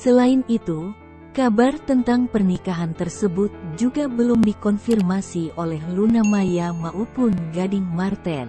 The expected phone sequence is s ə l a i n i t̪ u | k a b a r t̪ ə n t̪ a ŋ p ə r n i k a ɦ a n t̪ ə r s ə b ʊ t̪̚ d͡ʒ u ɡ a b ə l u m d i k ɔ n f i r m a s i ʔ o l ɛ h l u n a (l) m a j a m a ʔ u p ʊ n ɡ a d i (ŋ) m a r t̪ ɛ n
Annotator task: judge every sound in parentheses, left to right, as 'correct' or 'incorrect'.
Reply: incorrect: none, correct

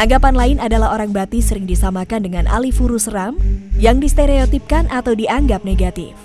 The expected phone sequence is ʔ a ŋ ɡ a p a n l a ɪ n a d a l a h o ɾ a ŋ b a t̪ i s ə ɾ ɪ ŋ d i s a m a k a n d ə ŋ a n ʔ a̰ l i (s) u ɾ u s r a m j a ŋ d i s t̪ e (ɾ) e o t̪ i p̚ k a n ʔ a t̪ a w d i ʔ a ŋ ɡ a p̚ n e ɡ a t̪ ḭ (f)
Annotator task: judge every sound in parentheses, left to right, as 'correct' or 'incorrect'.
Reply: incorrect: f, correct, correct

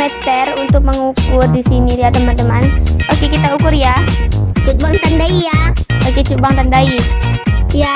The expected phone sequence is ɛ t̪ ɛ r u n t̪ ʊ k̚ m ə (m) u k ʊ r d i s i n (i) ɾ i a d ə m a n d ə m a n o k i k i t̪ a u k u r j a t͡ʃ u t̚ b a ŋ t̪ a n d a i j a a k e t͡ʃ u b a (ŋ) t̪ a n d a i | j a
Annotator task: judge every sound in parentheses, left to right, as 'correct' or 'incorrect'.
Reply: incorrect: ŋ, correct, correct

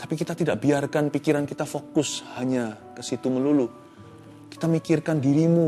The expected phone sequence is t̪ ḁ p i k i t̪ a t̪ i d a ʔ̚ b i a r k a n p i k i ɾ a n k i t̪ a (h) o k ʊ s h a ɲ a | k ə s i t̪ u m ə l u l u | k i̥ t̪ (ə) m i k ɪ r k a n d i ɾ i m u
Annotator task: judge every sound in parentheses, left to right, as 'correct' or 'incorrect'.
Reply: incorrect: f, incorrect: a

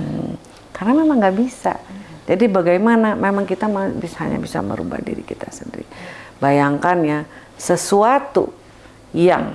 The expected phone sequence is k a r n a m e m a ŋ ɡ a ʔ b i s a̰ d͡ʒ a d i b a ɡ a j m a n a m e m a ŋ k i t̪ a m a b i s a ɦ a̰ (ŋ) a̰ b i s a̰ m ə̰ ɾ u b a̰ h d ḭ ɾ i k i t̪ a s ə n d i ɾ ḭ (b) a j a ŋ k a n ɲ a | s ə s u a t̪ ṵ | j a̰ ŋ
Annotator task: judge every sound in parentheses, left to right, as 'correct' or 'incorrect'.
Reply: incorrect: ɲ, correct

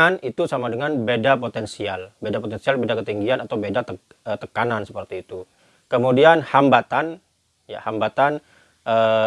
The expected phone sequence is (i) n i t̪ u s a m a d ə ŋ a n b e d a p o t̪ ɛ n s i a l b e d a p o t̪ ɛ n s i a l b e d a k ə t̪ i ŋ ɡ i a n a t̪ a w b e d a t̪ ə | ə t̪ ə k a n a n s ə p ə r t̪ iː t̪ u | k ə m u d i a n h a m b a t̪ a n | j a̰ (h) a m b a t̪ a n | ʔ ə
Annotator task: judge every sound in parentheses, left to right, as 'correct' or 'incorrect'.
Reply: incorrect: a, correct

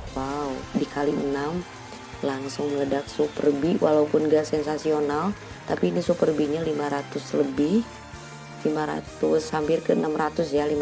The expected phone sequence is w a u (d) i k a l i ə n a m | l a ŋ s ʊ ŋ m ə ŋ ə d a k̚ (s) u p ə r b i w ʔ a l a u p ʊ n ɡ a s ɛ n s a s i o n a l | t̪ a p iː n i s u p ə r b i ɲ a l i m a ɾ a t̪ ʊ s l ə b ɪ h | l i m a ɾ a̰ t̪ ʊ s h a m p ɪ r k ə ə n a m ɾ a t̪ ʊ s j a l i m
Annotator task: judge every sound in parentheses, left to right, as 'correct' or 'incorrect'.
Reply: correct, correct

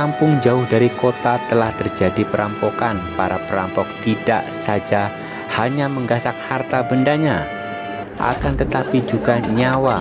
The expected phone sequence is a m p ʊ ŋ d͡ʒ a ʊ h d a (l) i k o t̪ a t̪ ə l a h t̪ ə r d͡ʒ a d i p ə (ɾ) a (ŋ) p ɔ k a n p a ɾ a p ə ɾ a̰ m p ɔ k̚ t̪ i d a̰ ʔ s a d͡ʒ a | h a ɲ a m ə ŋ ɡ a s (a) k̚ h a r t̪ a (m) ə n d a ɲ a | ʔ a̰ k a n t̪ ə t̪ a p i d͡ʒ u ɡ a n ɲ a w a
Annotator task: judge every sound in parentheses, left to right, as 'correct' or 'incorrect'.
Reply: incorrect: ɾ, correct, incorrect: m, correct, incorrect: b

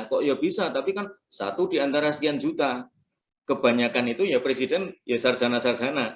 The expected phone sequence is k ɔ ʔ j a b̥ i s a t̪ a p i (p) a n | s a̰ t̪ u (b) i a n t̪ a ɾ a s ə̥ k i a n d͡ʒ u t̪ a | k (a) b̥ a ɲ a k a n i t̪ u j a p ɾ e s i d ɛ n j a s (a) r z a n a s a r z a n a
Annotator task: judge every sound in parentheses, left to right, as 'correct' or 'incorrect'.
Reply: incorrect: k, incorrect: d, incorrect: ə, correct

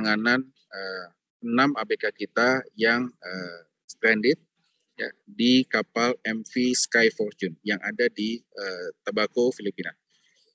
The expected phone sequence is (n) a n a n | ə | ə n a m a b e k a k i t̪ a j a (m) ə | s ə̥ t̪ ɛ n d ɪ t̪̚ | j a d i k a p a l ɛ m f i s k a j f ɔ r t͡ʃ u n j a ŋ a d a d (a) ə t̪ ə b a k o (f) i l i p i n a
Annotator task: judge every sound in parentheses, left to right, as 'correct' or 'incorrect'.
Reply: incorrect: ŋ, incorrect: ŋ, incorrect: i, correct

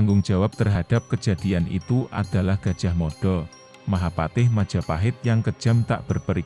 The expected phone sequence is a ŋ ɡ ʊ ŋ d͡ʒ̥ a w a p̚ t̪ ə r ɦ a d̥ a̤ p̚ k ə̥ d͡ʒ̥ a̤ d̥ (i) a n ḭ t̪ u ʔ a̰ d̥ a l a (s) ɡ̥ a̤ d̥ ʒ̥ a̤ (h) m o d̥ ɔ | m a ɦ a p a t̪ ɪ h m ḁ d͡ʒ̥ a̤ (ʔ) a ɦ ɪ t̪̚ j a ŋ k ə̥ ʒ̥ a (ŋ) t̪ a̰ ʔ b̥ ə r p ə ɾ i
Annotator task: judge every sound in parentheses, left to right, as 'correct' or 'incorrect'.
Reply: correct, incorrect: h, correct, incorrect: p, incorrect: m

